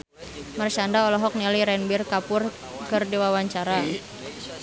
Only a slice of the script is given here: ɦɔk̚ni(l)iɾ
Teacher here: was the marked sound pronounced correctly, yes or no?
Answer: yes